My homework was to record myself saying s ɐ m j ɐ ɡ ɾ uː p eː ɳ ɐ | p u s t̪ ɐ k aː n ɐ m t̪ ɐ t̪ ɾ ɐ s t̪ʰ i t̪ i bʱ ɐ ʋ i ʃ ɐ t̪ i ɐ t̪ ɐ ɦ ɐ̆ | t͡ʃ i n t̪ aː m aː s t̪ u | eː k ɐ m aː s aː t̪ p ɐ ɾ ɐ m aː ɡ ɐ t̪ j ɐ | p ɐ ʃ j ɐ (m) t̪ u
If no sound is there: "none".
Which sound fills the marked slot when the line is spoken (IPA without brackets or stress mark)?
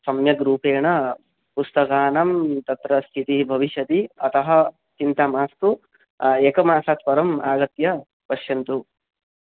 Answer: n